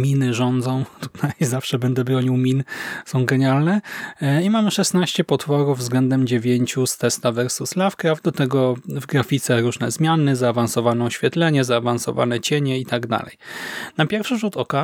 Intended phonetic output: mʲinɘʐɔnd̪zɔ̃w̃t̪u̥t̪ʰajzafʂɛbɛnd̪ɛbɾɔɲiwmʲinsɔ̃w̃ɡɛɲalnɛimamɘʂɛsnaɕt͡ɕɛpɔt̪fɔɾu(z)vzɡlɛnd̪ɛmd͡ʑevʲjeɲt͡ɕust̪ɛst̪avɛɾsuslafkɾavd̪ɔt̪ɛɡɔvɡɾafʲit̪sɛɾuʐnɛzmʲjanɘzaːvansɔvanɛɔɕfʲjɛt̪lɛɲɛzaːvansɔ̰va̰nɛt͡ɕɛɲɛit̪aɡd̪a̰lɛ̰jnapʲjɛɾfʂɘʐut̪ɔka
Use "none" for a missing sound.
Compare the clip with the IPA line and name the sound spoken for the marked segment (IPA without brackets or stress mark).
v